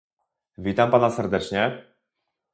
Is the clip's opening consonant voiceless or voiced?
voiced